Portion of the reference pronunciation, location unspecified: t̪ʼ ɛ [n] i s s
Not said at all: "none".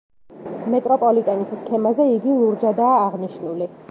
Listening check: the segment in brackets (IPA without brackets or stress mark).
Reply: n